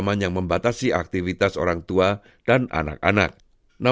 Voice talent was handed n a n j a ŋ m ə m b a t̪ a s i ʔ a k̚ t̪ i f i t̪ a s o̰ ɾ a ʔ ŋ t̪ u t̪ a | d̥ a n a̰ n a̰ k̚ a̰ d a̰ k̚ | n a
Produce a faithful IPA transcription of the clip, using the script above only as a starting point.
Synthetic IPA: m a n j a ŋ m ə m b a t̪ a s i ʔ a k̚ t̪ i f i t̪ a s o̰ ɾ a ŋ t̪ u a | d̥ a n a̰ n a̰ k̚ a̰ n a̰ k̚ | n a